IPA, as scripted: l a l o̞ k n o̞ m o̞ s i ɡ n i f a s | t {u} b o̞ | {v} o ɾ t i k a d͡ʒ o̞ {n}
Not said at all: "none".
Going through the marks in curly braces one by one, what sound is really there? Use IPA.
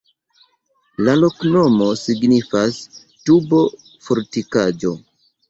u, f, none

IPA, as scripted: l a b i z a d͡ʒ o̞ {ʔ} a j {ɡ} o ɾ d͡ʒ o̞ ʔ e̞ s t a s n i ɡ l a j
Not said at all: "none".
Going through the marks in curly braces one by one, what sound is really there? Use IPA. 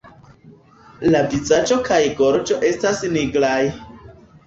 k, ɡ

